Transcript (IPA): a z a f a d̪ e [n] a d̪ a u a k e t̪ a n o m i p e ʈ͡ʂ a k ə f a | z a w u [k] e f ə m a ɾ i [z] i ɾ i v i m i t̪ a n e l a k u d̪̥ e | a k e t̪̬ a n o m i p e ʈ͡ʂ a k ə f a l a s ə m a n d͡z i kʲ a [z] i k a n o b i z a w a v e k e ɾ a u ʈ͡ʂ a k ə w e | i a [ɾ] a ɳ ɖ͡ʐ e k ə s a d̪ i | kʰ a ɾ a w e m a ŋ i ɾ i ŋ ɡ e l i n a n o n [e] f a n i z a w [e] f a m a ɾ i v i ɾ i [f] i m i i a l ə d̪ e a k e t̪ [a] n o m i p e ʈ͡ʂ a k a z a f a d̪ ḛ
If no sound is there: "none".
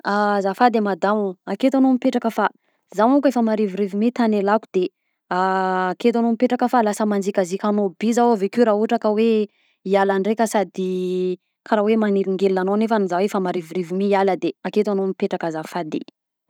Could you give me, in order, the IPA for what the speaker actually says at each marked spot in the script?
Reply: m, k, v, z, l, e, e, v, a

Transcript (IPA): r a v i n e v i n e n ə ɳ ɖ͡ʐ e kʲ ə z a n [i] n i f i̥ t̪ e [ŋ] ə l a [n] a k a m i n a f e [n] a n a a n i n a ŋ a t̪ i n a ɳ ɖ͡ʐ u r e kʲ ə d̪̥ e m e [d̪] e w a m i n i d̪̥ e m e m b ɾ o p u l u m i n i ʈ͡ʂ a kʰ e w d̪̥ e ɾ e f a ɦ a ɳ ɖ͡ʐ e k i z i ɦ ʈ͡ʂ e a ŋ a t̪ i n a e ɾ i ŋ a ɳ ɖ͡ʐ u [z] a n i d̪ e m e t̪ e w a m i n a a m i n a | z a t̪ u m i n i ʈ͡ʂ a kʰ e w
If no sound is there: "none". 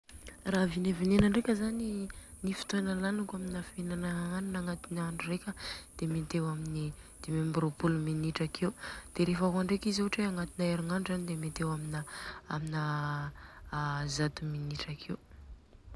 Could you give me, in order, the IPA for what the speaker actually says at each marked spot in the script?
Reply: i, n, n, n, t̪, z

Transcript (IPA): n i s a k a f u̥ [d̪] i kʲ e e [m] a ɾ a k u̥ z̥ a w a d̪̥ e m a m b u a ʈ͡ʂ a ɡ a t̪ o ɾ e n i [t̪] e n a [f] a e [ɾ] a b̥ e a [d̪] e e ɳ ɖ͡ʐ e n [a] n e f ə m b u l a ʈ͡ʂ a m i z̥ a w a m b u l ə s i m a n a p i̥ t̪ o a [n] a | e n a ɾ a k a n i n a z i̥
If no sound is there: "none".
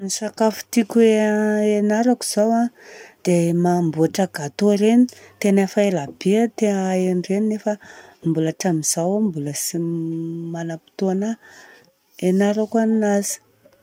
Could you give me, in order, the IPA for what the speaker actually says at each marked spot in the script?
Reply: t̪, n, t̪, f, l, t̪, i, n

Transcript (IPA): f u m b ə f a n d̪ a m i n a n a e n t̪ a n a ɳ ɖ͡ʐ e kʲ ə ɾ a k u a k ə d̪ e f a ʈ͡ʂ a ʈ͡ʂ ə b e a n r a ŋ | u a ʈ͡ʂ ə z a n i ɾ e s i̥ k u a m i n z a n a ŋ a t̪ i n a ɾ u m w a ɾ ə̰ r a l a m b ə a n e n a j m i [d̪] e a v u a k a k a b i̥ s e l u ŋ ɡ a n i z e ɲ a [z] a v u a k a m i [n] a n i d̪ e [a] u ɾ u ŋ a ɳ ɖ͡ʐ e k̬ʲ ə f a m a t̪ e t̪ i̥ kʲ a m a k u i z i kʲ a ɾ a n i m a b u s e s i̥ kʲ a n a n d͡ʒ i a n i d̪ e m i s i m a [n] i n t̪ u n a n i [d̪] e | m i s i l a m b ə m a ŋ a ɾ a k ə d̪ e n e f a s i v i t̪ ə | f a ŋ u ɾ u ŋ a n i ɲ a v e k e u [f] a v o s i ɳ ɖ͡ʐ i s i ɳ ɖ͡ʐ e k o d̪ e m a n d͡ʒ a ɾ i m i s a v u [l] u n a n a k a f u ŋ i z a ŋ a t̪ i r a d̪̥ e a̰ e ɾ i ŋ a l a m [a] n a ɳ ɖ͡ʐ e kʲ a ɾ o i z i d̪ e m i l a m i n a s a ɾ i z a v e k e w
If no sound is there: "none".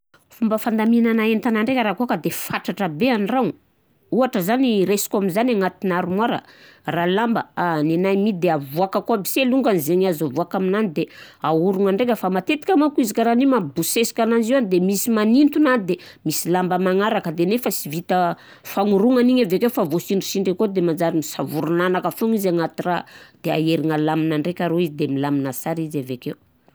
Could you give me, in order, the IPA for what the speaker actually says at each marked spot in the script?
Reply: d̪, z, n, a, n, d̪, f, ɾ, i

